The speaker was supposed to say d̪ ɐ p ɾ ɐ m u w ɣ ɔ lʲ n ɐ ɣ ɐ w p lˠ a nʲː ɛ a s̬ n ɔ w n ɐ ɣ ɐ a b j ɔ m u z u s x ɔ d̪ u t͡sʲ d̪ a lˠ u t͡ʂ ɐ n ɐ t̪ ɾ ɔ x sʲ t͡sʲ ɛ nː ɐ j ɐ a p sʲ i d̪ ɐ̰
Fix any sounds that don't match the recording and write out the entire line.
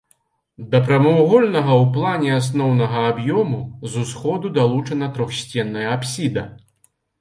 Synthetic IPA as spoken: d̪ ɐ p ɾ ɐ m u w ɣ ɔ lʲ n ɐ ɣ ɐ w p lˠ a nʲ ɛ a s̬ n ɔ w n ɐ ɣ ɐ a b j ɔ m u z u s x ɔ d̪ u d̪ a lˠ u t͡ʂ ɐ n ɐ t̪ ɾ ɔ x sʲ t͡sʲ ɛ nː ɐ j ɐ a p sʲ i d̪ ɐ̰